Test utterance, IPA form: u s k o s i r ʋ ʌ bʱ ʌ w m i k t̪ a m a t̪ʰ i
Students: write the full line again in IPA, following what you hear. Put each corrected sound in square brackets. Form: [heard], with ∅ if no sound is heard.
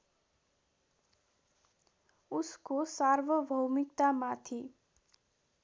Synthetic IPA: u s k o s [a] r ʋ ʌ bʱ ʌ w m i k t̪ a m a t̪ʰ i